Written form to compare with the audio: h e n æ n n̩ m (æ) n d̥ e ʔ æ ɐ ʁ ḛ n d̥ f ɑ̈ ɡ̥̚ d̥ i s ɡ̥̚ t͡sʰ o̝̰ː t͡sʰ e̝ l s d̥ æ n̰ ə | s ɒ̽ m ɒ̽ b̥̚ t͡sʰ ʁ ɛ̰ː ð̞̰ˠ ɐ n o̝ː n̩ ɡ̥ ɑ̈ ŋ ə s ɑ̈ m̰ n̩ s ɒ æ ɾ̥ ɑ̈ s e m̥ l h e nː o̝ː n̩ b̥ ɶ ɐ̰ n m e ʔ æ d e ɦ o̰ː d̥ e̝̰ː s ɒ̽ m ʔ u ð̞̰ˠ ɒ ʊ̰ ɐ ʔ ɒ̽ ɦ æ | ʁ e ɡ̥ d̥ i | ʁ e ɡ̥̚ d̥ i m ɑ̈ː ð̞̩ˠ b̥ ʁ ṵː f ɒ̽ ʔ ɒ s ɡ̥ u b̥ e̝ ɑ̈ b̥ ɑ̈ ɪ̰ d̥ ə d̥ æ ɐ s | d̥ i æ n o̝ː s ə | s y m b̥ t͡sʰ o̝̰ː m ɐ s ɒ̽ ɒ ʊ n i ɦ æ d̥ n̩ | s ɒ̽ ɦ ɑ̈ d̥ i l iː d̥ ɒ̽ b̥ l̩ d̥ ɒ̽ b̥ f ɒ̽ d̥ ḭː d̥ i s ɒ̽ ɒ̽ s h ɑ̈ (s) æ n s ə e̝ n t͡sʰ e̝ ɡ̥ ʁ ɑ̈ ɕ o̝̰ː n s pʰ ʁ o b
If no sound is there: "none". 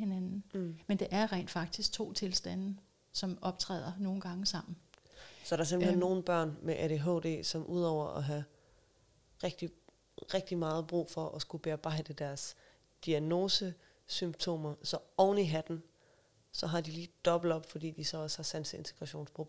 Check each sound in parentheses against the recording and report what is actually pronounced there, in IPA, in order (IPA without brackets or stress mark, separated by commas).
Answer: e, s